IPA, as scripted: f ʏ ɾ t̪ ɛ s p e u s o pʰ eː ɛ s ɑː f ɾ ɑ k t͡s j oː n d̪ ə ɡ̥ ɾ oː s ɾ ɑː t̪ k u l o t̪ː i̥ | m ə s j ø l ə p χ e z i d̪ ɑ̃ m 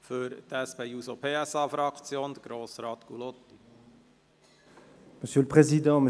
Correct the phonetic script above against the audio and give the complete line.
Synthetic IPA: f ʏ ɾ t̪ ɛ s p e u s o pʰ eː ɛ s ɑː f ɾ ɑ k t͡s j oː n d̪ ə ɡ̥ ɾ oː s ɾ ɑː t̪ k u l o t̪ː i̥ | m ə s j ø l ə p χ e z i d̪ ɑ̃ m